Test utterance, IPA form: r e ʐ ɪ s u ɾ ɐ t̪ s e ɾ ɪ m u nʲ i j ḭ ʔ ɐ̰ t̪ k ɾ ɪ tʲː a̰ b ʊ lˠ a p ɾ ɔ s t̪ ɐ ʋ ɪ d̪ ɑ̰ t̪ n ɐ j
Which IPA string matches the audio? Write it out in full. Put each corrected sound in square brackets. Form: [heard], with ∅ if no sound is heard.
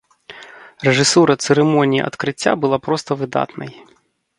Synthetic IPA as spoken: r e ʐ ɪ s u ɾ ɐ t̪ s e ɾ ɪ m [ɔ] nʲ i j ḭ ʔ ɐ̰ t̪ k ɾ ɪ tʲː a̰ b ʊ lˠ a p ɾ ɔ s t̪ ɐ ʋ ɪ d̪ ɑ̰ t̪ n ɐ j